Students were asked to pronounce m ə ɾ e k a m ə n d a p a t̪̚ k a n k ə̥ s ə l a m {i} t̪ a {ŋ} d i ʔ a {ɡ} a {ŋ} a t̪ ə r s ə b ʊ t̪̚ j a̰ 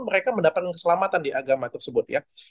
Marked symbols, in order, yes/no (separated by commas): no, no, yes, no